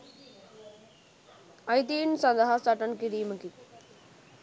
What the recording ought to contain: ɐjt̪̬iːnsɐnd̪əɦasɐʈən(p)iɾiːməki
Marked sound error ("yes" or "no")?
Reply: yes